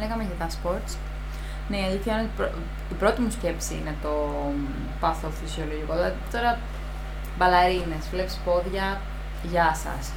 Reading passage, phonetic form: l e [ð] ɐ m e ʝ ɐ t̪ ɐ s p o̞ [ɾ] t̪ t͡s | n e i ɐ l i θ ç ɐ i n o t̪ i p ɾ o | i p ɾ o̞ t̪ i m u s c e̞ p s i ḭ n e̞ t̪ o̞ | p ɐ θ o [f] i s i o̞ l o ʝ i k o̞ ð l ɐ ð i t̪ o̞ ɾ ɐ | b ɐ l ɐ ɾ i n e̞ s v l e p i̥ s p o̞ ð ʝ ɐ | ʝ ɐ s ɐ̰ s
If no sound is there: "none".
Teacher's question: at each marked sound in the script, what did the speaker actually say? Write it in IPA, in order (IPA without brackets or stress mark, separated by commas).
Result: ɣ, ɾ, f